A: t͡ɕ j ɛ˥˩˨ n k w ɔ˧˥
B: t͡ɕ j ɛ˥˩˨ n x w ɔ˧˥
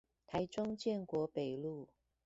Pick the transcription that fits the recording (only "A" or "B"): A